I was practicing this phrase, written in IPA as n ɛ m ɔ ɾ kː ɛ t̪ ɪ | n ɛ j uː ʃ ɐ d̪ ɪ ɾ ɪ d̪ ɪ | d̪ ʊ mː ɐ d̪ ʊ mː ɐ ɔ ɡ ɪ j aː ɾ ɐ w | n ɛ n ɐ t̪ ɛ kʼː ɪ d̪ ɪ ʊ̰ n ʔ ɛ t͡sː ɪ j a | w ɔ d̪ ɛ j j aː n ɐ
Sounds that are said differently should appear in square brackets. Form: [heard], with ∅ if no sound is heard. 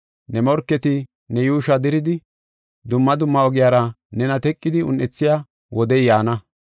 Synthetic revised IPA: n ɛ m ɔ ɾ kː ɛ t̪ ɪ | n ɛ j uː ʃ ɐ d̪ ɪ ɾ ɪ d̪ ɪ | d̪ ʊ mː ɐ d̪ ʊ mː ɐ ɔ ɡ ɪ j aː ɾ ɐ [∅] | n ɛ n ɐ t̪ ɛ kʼː ɪ d̪ ɪ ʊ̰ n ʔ ɛ t͡sː ɪ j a | w ɔ d̪ ɛ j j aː n ɐ